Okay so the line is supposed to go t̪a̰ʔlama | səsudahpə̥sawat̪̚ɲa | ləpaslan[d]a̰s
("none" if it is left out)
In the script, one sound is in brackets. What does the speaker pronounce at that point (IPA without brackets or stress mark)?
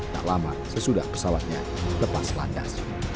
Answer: d